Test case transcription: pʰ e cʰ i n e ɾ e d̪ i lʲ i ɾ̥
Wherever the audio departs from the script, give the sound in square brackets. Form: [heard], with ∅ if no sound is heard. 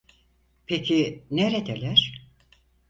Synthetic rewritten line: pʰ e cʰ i n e ɾ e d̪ [e] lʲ [æ] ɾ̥